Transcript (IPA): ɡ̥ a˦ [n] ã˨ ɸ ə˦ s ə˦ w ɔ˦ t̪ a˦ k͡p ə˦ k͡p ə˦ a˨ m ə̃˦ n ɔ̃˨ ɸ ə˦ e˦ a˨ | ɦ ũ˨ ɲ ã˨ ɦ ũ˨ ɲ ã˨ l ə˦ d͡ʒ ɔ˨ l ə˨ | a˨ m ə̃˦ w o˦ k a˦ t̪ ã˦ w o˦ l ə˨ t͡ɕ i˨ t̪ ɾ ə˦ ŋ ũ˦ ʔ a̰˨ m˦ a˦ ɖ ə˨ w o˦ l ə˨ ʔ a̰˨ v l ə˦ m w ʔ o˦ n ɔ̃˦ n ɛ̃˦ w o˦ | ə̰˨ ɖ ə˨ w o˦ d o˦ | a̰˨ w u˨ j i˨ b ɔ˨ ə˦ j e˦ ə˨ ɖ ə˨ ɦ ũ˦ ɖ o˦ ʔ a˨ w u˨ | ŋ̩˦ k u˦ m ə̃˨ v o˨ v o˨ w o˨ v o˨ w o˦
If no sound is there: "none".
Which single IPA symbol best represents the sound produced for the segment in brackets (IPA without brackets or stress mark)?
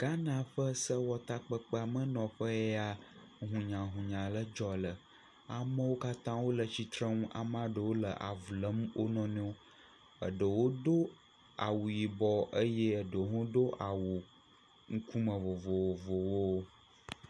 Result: n